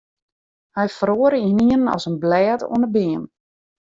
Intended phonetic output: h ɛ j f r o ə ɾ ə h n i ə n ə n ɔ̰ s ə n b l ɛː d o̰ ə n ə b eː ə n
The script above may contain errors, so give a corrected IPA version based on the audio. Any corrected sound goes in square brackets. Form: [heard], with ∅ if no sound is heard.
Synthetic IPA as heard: h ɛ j f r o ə ɾ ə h n i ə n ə n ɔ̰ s ə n b l ɛː [t] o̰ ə n ə b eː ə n